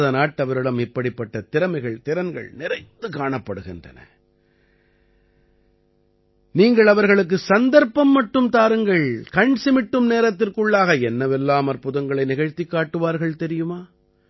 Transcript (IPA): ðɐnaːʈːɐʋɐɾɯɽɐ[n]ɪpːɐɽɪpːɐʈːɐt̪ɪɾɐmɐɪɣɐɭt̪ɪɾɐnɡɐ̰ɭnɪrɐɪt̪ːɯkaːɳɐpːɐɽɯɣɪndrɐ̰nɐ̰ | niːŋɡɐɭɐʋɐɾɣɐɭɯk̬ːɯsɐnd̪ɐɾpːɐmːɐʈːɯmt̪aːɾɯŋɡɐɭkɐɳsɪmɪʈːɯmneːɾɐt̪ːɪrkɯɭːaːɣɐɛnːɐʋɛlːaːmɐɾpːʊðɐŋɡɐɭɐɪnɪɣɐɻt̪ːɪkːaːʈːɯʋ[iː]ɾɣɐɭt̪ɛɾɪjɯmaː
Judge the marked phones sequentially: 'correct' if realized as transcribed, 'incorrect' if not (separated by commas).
incorrect, incorrect